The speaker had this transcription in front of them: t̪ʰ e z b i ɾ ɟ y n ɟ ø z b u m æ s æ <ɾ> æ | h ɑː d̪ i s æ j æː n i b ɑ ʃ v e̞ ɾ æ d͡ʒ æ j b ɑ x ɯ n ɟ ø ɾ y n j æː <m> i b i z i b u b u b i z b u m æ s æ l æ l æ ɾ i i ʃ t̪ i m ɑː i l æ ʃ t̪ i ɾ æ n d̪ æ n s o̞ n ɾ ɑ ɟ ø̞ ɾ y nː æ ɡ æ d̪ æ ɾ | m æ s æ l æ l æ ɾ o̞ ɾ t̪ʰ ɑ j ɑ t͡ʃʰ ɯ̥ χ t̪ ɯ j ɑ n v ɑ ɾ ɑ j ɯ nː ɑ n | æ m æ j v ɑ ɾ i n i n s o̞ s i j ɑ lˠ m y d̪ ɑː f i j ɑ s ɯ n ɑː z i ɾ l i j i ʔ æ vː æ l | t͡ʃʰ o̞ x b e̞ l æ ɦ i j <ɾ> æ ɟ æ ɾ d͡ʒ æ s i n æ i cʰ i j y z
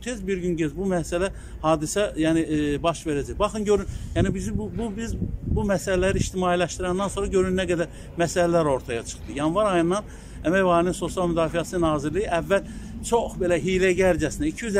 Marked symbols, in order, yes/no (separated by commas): no, no, no